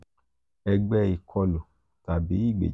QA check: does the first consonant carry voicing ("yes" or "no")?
yes